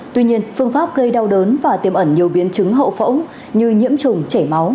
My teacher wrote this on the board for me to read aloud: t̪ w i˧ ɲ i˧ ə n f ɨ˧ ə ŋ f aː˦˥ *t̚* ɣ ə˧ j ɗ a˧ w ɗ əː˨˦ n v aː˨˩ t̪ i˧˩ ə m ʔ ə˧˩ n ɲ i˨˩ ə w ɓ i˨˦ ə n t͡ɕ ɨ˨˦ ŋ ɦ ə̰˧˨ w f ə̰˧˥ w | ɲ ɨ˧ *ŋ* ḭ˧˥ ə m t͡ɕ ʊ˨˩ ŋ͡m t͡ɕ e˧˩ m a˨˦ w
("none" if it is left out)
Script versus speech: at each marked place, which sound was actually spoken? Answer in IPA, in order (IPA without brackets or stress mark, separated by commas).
p̚, ɲ